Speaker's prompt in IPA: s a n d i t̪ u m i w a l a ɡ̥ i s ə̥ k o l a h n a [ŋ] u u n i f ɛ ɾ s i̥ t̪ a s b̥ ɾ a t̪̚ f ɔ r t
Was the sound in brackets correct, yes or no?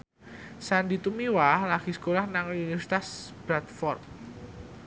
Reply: yes